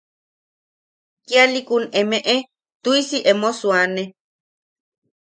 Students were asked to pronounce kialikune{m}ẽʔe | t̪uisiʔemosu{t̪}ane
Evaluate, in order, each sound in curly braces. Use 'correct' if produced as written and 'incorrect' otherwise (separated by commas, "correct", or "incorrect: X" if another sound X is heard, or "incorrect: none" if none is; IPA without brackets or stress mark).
correct, incorrect: none